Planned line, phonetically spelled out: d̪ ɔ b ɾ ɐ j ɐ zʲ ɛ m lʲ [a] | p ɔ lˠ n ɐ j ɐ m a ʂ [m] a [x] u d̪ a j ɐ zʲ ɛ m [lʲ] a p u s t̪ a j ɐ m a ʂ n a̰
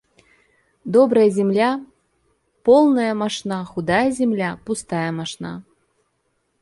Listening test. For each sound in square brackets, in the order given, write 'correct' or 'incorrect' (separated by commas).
correct, incorrect, correct, correct